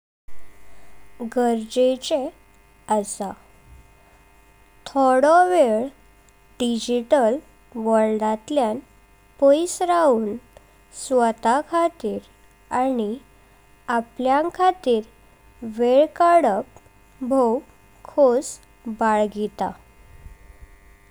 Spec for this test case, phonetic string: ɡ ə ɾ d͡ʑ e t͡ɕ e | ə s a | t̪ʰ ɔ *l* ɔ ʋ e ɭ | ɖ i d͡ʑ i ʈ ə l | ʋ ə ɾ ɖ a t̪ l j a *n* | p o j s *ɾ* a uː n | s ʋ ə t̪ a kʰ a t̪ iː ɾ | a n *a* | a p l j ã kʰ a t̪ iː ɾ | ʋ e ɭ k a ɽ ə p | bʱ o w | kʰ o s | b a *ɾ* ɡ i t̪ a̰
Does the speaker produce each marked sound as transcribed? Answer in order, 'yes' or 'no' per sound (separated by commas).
no, yes, yes, no, no